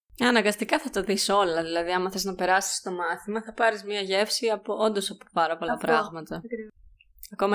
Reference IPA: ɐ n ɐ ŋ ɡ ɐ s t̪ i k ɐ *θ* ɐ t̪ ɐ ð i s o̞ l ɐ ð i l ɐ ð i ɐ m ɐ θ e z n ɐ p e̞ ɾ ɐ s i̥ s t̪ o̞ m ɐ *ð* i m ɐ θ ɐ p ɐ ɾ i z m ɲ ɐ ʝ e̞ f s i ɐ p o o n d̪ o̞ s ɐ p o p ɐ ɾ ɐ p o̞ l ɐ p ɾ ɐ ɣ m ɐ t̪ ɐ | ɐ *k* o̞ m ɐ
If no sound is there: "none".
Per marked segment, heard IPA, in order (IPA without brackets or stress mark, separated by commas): θ, θ, k